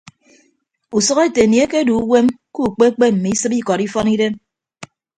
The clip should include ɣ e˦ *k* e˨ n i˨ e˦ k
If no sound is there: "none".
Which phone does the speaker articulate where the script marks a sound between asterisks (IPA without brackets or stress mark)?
t